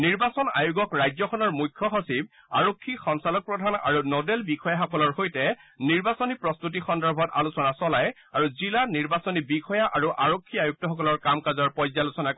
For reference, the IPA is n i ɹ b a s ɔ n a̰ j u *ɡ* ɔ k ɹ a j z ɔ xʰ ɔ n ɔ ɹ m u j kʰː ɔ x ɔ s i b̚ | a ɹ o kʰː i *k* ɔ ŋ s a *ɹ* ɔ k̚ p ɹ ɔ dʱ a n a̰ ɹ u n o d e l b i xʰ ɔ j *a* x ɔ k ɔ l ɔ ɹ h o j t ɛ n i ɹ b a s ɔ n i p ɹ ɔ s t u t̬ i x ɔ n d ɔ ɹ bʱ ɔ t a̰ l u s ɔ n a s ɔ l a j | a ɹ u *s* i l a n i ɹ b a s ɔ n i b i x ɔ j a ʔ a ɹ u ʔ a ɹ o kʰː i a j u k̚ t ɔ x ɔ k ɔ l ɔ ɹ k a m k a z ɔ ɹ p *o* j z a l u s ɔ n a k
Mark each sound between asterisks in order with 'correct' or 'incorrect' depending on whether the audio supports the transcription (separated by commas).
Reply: correct, incorrect, incorrect, correct, incorrect, incorrect